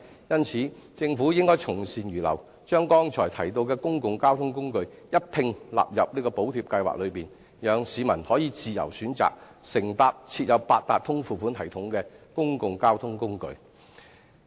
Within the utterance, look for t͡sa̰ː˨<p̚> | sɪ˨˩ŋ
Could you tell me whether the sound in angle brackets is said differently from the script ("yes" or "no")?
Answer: yes